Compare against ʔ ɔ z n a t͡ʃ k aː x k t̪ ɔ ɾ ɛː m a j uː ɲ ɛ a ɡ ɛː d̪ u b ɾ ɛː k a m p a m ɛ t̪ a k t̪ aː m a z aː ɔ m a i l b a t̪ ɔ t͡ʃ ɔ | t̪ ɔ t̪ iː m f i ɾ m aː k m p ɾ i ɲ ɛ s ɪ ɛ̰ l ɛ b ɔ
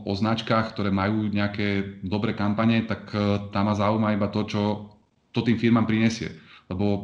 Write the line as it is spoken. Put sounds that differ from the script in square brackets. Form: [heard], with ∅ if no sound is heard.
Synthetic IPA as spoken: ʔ ɔ z n a t͡ʃ k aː x k t̪ ɔ ɾ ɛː m a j uː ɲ ɛ a [k] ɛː d̪ [ɔ] b ɾ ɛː k a m p a [ɲ] ɛ t̪ a k t̪ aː m a z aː [u] m a i [∅] b a t̪ ɔ t͡ʃ ɔ | t̪ ɔ t̪ iː m f i ɾ m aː [∅] m p ɾ i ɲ ɛ s ɪ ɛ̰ l ɛ b ɔ